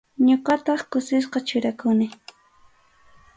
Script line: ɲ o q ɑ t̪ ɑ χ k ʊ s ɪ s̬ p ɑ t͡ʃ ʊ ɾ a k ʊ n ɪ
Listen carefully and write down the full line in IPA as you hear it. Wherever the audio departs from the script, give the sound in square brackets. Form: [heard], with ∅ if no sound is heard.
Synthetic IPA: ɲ o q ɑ t̪ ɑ χ k ʊ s ɪ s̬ [q] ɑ t͡ʃ ʊ ɾ a k ʊ n ɪ